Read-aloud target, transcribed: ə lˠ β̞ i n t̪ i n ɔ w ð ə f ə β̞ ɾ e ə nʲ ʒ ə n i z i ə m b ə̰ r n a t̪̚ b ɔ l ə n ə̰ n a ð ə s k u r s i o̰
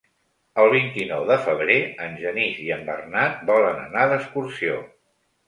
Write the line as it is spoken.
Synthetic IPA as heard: ə lˠ β̞ i n t̪ i n ɔ w ð ə f ə β̞ ɾ e ə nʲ ʒ ə n i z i ə m b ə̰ r n a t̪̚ b ɔ l ə n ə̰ n a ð ə s k u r s i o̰

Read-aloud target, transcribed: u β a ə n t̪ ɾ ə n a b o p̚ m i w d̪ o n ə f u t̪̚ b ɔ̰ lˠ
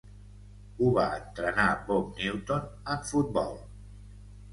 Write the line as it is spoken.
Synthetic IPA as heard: u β a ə n t̪ ɾ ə n a b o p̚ n i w t̪ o n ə f u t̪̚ b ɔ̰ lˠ

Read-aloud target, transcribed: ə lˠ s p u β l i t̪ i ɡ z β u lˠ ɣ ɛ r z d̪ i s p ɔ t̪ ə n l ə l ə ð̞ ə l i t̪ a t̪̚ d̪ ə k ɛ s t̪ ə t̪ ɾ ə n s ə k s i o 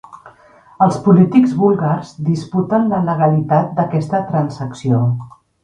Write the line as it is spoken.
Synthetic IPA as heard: ə lˠ s p u l i t̪ i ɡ z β u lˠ ɣ a r z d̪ i s p u t̪ ə n l ə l ə ɣ̞ ə l i t̪ a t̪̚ d̪ ə k ɛ s t̪ ə t̪ ɾ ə n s ə k s i o

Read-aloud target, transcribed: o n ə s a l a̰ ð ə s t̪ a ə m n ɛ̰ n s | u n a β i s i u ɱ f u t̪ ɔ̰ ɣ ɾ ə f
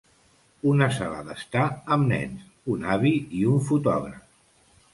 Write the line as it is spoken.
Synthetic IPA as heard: u n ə s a l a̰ ð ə s t̪ a ə m n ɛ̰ n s | u n a β i i u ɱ f u t̪ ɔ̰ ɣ ɾ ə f

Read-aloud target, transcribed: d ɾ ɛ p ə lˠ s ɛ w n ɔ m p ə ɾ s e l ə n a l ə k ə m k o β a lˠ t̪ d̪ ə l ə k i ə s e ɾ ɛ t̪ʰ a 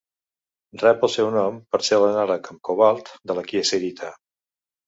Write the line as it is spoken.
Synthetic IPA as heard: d r ɛ p ə lˠ s ɛ w n ɔ m p ə ɾ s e l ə n a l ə k ə m k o β a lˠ t̪ d̪ ə l ə k i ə s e ɾ i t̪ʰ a

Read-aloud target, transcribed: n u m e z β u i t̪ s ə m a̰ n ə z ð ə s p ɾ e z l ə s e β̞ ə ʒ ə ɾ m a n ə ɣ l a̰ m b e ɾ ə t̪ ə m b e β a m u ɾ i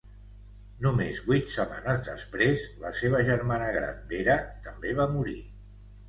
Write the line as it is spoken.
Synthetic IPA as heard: n u m e z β u j t̪ s ə m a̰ n ə z ð ə s p ɾ e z l ə s e β̞ ə ʒ ə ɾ m a n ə ɣ ɾ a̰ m b e ɾ ə t̪ ə m b e β a m u ɾ i

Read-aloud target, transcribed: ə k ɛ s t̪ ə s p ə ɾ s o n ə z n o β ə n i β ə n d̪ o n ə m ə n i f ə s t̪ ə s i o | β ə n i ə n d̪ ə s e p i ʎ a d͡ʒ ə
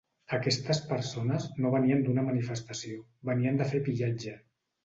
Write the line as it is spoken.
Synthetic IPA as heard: ə k ɛ s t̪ ə s p ə ɾ s o n ə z n o β ə n i ə n d̪ u n ə m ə n i f ə s t̪ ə s i o | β ə n i ə n d̪ ə f e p i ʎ a d͡ʒ ə

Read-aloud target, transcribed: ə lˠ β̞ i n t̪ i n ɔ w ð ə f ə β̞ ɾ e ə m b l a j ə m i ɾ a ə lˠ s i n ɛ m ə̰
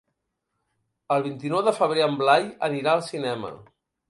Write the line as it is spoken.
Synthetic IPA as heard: ə lˠ β̞ i n t̪ i n ɔ w ð ə f ə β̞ ɾ e ə m b l a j ə n i ɾ a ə lˠ s i n ɛ m ə̰

